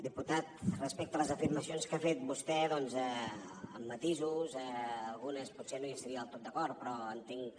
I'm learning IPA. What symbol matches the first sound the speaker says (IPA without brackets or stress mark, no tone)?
d̪